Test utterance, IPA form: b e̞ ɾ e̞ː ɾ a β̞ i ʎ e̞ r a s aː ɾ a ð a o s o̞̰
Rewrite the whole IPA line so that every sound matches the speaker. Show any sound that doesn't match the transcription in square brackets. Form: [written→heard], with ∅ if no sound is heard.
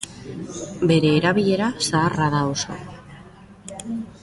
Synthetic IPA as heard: b e̞ ɾ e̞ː ɾ a β̞ i ʎ e̞ [r→ɾ] a s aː [ɾ→r] a ð a o s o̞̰